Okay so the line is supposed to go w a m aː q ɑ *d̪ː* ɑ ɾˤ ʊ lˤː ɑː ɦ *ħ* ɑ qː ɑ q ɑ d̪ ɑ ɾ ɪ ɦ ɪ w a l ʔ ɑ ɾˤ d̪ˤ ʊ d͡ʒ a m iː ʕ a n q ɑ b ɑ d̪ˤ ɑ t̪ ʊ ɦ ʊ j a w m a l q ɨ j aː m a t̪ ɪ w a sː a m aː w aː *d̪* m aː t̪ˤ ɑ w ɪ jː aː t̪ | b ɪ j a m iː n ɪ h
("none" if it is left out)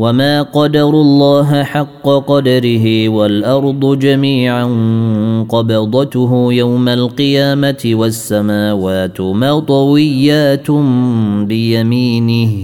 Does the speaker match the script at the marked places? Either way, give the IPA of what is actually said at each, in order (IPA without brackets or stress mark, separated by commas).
d̪, ħ, t̪